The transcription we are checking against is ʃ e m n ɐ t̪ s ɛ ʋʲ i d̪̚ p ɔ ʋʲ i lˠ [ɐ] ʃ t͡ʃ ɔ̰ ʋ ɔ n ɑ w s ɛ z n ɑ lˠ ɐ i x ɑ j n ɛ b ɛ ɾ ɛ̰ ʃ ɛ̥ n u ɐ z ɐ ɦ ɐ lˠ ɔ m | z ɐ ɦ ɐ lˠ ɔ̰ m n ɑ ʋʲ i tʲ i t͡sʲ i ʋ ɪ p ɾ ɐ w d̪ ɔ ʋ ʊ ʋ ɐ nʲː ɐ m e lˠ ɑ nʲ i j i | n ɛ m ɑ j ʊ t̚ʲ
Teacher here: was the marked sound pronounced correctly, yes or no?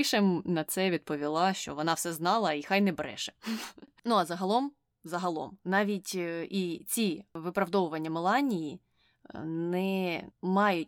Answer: no